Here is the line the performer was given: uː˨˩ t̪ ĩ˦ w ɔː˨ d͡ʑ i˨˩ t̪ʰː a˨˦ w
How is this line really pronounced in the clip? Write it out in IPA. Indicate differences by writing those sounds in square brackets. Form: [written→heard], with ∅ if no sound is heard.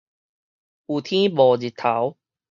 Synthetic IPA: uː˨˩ [t̪→t̪ʰ] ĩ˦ [w→b] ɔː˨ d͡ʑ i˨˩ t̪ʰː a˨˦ w